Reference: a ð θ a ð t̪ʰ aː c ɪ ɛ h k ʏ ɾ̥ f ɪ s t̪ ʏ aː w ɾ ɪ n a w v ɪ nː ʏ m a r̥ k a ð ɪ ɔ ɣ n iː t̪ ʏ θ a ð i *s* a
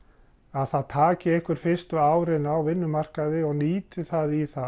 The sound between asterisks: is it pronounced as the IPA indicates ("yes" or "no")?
no